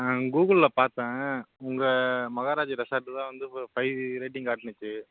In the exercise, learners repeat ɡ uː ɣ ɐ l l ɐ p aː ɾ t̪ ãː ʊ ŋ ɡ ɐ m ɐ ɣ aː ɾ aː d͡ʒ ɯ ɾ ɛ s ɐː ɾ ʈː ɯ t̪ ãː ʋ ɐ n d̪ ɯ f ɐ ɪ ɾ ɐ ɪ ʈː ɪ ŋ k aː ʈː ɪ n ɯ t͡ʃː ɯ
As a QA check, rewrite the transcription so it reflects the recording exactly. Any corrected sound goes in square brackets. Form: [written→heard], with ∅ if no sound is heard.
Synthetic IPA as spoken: ɡ uː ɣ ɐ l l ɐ p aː ɾ t̪ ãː ʊ ŋ ɡ ɐ m ɐ ɣ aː ɾ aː d͡ʒ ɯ ɾ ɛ s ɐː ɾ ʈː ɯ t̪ ãː ʋ ɐ n d̪ ɯ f ɐ ɪ ɾ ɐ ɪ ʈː ɪ ŋ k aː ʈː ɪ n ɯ t͡ʃː ɯ